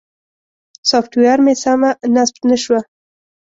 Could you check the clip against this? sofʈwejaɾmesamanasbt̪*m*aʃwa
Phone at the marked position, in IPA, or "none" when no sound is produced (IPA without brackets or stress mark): n